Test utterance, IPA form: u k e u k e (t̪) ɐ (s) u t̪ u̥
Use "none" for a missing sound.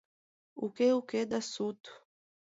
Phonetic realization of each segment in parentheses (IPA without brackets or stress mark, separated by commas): d̪, s